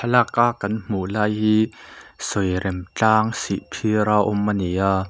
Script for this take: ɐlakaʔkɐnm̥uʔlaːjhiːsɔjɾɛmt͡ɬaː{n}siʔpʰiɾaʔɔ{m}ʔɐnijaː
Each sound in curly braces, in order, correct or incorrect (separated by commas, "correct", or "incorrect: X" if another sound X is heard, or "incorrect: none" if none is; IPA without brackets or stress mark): incorrect: ŋ, correct